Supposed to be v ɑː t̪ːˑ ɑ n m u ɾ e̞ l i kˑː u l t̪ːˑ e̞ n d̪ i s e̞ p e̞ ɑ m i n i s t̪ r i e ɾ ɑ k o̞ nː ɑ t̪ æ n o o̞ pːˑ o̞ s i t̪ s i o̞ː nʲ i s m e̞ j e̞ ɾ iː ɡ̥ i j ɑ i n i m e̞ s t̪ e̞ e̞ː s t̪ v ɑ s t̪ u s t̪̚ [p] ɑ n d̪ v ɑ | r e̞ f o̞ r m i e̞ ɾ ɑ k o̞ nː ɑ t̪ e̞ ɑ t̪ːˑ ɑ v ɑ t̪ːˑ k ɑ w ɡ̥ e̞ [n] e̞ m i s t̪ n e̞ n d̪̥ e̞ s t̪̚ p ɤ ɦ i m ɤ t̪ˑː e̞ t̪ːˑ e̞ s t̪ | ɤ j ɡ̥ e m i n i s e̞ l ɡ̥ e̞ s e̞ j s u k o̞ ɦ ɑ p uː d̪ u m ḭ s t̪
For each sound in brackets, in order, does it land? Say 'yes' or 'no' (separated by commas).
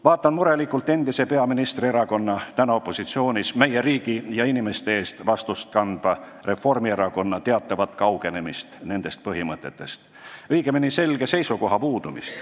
no, yes